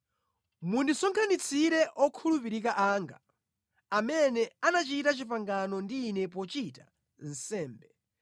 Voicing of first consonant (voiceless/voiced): voiced